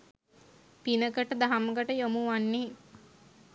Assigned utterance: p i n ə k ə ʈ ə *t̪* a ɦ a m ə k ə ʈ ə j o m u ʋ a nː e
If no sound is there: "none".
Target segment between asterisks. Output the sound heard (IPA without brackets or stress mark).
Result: d̪